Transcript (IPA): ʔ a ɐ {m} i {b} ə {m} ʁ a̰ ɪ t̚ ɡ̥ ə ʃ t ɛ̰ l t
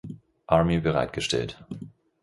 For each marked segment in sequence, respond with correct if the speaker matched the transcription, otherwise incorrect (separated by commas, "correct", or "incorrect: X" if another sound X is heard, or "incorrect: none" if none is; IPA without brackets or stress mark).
correct, correct, incorrect: none